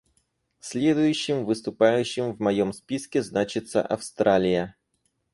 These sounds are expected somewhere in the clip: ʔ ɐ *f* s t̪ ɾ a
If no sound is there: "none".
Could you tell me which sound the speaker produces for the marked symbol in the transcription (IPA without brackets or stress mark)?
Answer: f